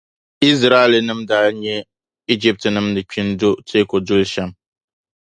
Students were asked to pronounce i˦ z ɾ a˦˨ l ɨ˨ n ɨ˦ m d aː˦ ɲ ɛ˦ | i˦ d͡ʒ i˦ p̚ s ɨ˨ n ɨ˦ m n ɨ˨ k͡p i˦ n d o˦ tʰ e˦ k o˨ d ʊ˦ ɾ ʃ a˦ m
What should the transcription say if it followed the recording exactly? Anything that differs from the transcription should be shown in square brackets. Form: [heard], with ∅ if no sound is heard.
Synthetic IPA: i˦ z ɾ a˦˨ l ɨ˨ n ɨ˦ m d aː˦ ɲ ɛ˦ | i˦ d͡ʒ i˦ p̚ [t] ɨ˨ n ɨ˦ m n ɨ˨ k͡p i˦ n d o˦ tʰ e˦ k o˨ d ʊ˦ [l] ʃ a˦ m